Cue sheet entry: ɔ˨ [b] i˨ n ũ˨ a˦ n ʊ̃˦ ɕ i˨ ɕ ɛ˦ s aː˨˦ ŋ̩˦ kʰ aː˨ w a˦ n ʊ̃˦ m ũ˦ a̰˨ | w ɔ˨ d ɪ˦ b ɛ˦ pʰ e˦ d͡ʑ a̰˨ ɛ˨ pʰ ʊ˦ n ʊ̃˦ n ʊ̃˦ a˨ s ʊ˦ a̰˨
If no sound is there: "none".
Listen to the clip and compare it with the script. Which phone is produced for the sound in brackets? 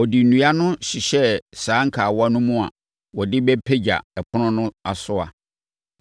d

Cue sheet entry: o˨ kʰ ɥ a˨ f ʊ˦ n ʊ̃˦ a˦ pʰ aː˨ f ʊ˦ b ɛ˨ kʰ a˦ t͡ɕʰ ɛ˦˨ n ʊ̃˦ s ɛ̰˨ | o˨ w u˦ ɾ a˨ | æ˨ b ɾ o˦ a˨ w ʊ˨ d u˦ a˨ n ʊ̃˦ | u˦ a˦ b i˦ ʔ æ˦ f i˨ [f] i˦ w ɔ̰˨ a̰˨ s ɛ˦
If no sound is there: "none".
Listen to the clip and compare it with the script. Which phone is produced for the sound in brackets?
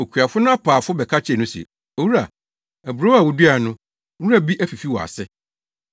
f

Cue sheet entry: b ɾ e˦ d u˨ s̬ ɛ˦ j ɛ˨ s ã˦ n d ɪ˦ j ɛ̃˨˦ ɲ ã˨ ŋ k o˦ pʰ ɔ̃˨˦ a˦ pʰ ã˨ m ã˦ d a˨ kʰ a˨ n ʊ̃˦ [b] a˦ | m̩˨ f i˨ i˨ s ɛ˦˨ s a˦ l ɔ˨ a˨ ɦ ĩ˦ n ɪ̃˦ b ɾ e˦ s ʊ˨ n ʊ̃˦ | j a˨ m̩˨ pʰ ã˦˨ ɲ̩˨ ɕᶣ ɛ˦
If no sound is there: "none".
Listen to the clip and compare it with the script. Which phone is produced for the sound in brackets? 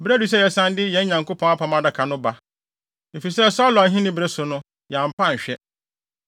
b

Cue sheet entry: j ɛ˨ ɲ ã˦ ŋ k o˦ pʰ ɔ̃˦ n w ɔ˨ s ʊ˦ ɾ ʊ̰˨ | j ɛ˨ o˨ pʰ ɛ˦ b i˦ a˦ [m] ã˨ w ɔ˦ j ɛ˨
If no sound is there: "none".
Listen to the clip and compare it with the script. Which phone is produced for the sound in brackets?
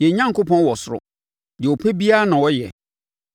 n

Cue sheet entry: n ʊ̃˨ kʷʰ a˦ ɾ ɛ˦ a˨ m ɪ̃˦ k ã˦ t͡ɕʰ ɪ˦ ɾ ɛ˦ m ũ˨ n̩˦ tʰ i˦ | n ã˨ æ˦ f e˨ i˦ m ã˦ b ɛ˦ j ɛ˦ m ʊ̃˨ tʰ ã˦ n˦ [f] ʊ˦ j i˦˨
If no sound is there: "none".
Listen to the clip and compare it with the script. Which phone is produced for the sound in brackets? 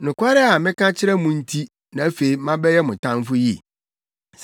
f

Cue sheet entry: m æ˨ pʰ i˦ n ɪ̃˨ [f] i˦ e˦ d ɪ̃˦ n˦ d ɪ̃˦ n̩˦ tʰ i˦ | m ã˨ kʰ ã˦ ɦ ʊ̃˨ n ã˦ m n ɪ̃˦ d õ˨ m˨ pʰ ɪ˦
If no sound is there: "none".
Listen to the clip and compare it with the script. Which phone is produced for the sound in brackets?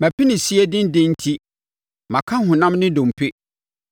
s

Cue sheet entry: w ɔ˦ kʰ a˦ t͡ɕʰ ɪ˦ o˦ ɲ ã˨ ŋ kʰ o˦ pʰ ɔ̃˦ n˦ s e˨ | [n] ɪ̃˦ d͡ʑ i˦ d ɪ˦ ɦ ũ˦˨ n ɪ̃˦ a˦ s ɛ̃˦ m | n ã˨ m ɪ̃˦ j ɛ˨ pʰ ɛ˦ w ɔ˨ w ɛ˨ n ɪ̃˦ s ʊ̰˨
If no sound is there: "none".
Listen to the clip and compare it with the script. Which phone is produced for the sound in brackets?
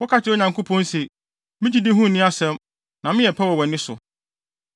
m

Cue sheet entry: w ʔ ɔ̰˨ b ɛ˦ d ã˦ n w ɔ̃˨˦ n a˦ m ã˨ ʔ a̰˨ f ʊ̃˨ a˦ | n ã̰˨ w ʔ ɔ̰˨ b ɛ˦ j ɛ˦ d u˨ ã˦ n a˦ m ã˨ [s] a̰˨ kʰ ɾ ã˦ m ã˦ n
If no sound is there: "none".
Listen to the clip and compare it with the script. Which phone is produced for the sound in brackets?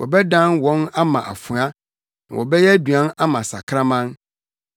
s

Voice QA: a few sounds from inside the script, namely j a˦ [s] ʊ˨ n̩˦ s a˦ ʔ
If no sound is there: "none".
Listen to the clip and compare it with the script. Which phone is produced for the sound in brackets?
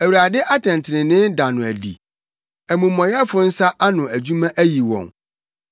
f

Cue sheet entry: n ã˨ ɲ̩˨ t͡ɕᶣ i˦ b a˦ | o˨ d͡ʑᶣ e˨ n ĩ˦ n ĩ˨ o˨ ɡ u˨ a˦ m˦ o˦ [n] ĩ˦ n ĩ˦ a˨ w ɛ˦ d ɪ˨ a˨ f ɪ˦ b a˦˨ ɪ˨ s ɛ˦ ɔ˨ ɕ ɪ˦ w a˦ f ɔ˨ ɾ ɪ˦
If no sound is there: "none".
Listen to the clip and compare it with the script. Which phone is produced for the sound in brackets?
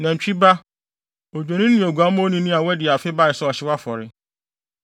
n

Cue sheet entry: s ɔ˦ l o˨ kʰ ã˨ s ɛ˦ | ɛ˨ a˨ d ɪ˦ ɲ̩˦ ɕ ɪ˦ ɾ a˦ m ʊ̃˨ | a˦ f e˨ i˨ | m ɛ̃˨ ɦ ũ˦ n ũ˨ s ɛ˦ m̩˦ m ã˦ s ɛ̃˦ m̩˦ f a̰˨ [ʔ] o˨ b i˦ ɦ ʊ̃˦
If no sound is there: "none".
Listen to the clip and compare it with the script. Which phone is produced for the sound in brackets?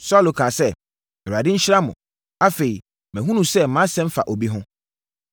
ʔ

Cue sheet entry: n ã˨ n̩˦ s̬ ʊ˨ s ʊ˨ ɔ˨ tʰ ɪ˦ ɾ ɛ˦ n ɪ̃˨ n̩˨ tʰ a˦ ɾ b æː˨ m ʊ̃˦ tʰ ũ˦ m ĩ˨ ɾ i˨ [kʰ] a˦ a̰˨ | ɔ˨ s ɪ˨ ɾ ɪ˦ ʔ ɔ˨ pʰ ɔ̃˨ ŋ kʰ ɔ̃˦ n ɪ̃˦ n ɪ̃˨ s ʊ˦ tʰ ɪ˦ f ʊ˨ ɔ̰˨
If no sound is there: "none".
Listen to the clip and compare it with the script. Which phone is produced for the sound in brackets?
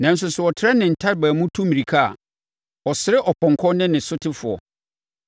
kʰ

